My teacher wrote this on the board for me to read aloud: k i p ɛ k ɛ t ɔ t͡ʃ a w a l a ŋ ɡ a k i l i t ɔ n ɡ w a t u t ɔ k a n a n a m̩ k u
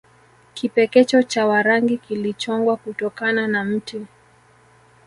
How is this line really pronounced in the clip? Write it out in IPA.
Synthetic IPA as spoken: k i p ɛ k ɛ t͡ʃ ɔ t͡ʃ a w a ɾ a ŋ ɡ i k i l i t͡ʃ ɔ ŋ ɡ w a k u t ɔ k a n a n a m̩ t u